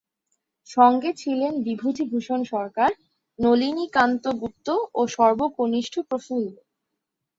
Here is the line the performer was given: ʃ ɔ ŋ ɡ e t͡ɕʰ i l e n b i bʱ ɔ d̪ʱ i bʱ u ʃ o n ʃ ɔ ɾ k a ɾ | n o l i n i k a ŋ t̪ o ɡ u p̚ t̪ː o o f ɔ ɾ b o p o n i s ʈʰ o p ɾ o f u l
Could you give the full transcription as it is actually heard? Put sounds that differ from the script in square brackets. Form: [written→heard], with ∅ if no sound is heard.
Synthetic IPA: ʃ ɔ ŋ ɡ e t͡ɕʰ i l e n b i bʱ [ɔ→u] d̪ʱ i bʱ u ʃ o n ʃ ɔ ɾ k a ɾ | n o l i n i k a [ŋ→n] t̪ o ɡ u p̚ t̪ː o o [f→ʃ] ɔ ɾ b o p o n i [s→ʃ] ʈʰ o p ɾ o f u l